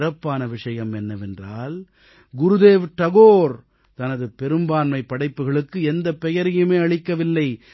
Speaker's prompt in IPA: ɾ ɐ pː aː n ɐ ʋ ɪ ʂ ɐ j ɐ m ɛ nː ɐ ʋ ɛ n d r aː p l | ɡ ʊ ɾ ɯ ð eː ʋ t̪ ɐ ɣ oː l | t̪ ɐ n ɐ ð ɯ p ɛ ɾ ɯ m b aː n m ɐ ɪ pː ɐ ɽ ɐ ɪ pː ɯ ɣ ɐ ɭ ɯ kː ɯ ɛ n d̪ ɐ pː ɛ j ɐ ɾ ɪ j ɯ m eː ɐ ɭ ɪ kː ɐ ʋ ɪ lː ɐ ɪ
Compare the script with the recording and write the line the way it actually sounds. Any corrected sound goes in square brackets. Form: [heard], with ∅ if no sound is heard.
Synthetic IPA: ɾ ɐ pː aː n ɐ ʋ ɪ ʂ ɐ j ɐ m ɛ nː ɐ ʋ ɛ n d r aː [∅] l | ɡ ʊ ɾ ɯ ð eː ʋ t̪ ɐ ɣ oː [ɾ] | t̪ ɐ n ɐ ð ɯ p ɛ ɾ ɯ m b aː n m ɐ ɪ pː ɐ ɽ ɐ ɪ pː ɯ ɣ ɐ ɭ ɯ kː ɯ ɛ n d̪ ɐ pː ɛ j ɐ ɾ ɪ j ɯ m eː ɐ ɭ ɪ kː ɐ ʋ ɪ lː ɐ ɪ